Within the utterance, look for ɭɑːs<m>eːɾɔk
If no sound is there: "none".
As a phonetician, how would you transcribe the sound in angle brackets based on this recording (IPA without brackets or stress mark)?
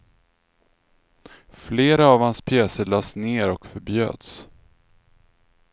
n